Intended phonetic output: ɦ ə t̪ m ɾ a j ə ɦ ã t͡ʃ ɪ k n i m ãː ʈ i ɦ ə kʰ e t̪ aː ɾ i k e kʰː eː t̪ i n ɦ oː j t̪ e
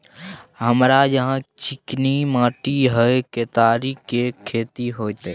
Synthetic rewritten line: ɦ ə m ɾ a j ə ɦ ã t͡ʃ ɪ k n i m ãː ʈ i ɦ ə k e t̪ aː ɾ i k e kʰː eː t̪ i ɦ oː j t̪ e

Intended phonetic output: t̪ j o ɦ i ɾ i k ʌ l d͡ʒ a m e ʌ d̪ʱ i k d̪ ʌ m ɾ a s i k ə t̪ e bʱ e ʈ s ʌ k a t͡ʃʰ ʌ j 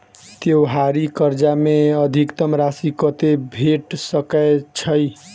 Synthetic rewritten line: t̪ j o ɦ a ɾ i k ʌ ɾ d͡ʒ a m e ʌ d̪ʱ i k t̪ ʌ m ɾ a s i k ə t̪ e bʱ e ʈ s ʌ k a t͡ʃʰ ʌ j

